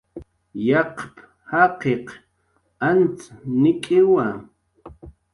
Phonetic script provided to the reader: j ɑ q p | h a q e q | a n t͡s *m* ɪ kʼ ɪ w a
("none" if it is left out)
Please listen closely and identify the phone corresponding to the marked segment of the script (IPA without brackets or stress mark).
n